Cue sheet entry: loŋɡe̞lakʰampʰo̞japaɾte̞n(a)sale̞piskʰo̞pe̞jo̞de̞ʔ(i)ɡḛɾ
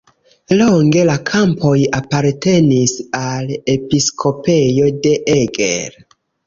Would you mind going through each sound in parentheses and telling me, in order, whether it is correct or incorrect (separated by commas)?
incorrect, incorrect